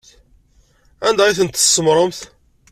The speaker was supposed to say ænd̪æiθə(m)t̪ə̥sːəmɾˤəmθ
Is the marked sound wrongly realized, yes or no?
yes